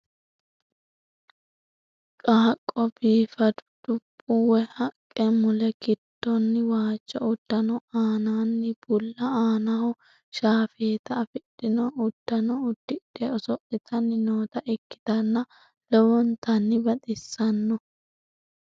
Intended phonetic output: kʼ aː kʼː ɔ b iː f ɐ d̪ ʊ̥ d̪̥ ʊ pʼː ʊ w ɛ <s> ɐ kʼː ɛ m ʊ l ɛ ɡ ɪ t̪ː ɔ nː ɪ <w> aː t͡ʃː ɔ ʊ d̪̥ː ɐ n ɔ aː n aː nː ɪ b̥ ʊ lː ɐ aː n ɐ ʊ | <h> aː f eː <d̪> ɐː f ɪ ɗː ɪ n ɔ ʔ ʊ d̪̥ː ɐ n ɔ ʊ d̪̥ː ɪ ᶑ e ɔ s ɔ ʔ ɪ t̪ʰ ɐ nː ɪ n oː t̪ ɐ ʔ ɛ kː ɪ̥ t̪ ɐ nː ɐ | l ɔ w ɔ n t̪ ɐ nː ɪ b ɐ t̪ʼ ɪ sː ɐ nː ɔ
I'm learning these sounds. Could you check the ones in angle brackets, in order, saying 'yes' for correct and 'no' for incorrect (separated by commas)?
no, yes, no, no